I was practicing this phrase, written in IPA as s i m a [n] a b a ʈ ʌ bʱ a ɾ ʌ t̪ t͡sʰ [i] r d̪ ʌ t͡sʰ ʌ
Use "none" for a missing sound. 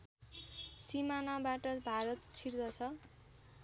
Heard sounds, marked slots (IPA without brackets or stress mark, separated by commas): n, i